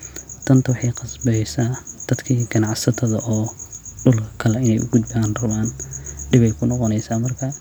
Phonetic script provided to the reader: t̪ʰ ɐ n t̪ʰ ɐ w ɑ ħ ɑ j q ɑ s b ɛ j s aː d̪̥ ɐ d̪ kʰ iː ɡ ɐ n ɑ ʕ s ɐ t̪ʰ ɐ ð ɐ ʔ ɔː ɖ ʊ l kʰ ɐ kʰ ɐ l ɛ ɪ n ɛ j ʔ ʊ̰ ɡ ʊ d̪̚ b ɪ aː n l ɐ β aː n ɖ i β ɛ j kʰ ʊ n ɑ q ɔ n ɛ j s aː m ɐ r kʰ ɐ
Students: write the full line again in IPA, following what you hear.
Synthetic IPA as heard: t̪ʰ ɐ n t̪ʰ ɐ w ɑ ħ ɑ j q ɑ s b ɛ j s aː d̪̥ ɐ d̪ kʰ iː ɡ ɐ n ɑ ʕ s ɐ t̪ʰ ɐ ð ɐ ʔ ɔː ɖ ʊ l kʰ ɐ kʰ ɐ l ɛ ɪ n ɛ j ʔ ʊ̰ ɡ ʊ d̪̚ b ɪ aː n r ɐ β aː n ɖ ɪ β ɛ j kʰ ʊ n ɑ q ɔ n ɛ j s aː m ɐ r kʰ ɐ